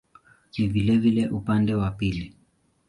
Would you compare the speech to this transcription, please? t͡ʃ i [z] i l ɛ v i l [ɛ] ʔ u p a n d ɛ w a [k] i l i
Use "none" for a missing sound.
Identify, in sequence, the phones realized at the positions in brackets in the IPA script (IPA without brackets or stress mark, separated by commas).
v, ɛ, p